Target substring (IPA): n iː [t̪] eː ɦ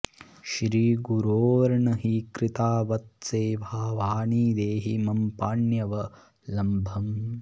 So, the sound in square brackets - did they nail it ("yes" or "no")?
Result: no